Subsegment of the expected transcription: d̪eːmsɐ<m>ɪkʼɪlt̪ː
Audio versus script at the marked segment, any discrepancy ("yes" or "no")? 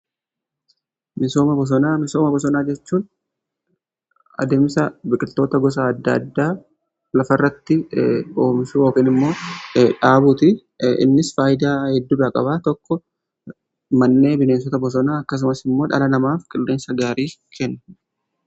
yes